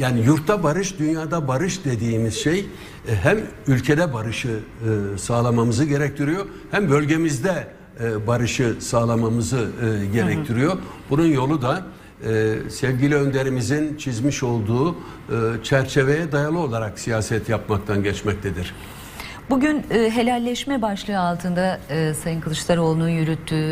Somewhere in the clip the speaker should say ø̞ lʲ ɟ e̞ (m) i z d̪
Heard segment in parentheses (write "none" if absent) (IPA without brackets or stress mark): m